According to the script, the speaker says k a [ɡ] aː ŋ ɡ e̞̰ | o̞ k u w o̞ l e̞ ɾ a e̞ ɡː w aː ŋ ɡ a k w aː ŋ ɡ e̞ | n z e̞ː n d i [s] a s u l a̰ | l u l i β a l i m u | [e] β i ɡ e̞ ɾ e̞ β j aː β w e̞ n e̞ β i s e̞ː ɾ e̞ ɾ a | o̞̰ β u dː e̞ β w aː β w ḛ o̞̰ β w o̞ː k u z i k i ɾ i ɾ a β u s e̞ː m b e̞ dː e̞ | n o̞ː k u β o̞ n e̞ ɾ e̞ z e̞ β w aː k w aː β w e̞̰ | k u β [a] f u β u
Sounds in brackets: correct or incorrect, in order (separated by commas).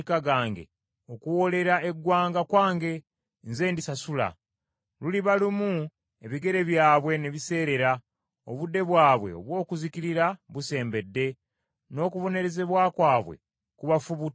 correct, correct, correct, correct